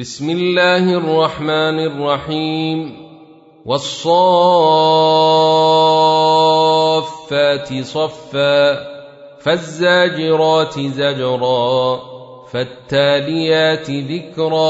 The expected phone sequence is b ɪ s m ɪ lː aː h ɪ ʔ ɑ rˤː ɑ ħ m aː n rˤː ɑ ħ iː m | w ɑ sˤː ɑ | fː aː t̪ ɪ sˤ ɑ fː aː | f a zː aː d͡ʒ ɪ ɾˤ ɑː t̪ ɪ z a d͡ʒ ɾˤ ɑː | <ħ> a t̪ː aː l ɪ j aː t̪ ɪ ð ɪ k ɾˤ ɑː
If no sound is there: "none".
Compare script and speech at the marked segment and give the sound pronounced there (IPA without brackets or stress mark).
f